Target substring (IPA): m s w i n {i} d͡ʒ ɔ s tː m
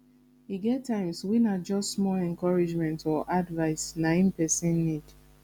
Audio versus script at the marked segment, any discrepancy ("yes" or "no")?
yes